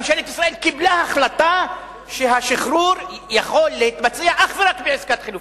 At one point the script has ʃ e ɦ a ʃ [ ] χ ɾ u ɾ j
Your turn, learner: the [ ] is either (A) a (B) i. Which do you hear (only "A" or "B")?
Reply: B